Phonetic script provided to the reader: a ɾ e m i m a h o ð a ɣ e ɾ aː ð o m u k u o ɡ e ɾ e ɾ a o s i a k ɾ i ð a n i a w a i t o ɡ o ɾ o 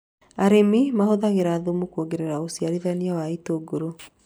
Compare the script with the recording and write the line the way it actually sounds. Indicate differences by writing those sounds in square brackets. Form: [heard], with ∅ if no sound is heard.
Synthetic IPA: a ɾ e m i m a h o ð a ɣ e ɾ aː ð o m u k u o ɡ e ɾ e ɾ a o s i a [∅] ɾ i ð a n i a w a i t o ɡ o ɾ o